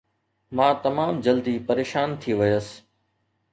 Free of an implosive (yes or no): yes